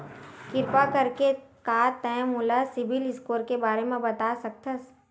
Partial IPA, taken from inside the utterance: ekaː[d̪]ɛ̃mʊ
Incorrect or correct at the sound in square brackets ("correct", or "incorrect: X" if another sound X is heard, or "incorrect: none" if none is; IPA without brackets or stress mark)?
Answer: incorrect: t̪